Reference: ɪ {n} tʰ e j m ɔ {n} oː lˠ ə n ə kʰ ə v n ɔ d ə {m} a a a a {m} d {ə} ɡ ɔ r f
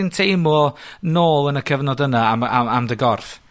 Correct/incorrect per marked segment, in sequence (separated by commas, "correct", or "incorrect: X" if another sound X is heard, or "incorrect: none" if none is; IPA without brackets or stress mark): correct, correct, incorrect: n, correct, correct